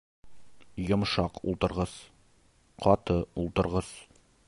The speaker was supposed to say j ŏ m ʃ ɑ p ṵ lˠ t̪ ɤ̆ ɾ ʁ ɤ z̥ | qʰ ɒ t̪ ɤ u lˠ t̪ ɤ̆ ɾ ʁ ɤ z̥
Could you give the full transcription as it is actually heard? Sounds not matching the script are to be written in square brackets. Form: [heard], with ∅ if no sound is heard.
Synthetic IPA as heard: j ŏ m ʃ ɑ [q] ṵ lˠ t̪ ɤ̆ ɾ ʁ ɤ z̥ | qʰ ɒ t̪ ɤ u lˠ t̪ ɤ̆ ɾ ʁ ɤ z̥